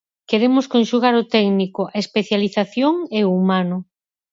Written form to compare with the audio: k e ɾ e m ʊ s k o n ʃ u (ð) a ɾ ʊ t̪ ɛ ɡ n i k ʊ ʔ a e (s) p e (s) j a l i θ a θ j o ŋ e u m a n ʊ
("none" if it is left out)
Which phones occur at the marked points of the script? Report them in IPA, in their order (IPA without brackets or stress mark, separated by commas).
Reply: ɣ, s, θ